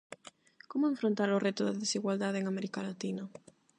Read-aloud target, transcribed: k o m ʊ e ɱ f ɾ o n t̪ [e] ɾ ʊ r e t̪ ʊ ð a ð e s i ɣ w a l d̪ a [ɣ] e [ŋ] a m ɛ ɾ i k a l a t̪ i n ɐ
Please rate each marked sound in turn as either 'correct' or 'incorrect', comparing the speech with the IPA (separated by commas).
incorrect, incorrect, correct